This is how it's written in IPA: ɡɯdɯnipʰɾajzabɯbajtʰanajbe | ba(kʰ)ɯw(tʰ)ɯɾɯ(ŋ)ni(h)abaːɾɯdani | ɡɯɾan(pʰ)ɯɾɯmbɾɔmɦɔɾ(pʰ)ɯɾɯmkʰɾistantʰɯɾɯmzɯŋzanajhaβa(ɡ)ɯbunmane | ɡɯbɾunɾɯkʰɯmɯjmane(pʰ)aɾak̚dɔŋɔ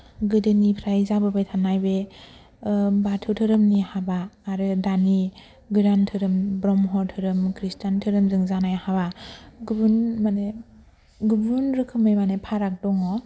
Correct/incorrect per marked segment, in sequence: incorrect, correct, incorrect, correct, incorrect, incorrect, correct, correct

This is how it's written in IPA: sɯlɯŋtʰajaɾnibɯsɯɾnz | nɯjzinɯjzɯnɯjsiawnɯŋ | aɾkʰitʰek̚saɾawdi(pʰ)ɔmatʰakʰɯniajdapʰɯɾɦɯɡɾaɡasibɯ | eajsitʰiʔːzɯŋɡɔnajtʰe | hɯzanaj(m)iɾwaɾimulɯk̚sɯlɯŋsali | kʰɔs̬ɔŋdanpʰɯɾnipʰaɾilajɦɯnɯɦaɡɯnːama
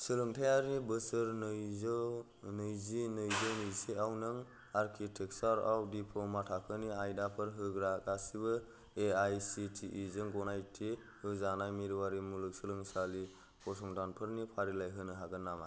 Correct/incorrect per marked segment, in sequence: correct, correct

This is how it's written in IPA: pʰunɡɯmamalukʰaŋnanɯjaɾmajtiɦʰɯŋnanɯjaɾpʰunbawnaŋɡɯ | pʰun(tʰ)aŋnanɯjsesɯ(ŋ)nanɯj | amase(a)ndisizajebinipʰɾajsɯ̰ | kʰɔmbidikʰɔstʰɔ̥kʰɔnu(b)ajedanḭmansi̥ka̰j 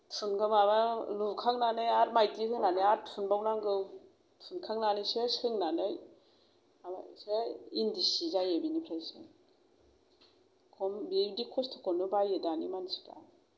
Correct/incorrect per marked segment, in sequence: incorrect, correct, incorrect, correct

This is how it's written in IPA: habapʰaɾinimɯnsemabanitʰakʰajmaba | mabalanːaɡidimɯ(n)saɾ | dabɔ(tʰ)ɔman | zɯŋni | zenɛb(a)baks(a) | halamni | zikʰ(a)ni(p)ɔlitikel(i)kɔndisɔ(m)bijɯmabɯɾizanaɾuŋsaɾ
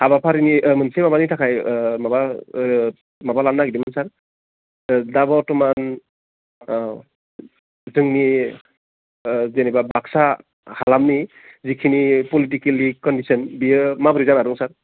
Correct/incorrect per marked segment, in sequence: correct, incorrect, correct, correct, incorrect, correct, correct, incorrect

